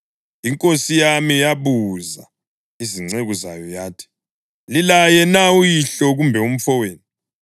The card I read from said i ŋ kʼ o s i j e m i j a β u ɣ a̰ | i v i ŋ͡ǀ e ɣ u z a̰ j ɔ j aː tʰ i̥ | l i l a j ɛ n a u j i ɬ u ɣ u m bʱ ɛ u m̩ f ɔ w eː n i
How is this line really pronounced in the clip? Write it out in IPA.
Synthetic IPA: i ŋ kʼ o s i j a m i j a β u z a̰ | i z i ŋ͡ǀ e ɣ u z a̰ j ɔ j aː tʰ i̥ | l i l a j ɛ n a u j i ɬ ɔ ɣ u m bʱ ɛ u m̩ f ɔ w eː n i